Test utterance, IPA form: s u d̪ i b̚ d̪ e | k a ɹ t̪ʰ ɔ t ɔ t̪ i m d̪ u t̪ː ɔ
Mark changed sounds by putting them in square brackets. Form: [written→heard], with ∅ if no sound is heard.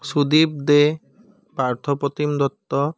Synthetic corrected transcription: s u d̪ i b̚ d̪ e | [k→p] a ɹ t̪ʰ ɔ [t→p] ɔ t̪ i m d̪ [u→ɔ] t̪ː ɔ